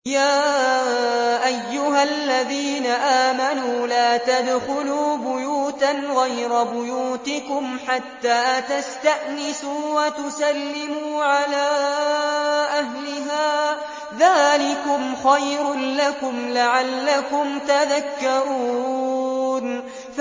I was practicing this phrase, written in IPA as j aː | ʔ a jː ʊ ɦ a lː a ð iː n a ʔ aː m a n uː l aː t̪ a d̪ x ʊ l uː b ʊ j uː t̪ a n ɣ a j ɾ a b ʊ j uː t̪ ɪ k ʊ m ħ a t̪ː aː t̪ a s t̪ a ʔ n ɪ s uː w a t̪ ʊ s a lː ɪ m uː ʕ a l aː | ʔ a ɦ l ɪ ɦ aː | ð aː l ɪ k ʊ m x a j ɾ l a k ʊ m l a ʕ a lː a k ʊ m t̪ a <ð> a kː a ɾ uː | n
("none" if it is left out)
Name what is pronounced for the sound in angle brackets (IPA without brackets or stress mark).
ð